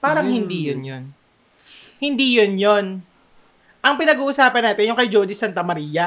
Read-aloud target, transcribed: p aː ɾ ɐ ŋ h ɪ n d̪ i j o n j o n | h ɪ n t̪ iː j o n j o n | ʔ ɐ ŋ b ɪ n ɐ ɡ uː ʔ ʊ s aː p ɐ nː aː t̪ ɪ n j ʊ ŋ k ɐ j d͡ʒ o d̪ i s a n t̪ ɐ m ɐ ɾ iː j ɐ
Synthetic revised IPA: p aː ɾ ɐ ŋ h ɪ n d̪ i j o n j o n | h ɪ n d̪ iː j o n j o n | ʔ ɐ ŋ p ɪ n ɐ ɡ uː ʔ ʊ s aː p ɐ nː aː t̪ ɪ n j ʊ ŋ k ɐ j d͡ʒ o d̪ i s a n t̪ ɐ m ɐ ɾ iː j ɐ